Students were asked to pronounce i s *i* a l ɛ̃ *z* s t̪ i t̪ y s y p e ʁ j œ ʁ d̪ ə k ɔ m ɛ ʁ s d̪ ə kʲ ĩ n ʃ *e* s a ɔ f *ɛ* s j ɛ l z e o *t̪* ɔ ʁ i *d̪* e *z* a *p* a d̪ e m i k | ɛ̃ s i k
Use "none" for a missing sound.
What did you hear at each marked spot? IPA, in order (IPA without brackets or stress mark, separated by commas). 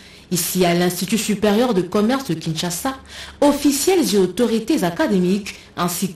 i, none, a, i, t̪, t̪, z, k